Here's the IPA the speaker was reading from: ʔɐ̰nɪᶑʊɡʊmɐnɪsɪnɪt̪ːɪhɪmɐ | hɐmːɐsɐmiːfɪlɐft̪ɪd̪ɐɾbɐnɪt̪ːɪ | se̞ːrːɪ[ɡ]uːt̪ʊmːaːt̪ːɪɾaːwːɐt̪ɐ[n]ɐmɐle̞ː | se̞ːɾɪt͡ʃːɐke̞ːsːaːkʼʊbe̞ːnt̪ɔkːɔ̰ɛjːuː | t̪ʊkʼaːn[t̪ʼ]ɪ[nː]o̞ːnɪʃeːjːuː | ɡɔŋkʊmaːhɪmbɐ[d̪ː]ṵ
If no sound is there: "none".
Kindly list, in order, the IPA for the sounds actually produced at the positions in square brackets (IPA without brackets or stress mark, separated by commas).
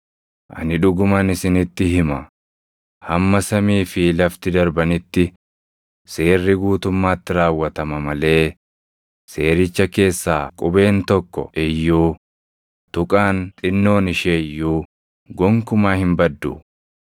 ɡ, m, t̪ʼ, nː, d̪ː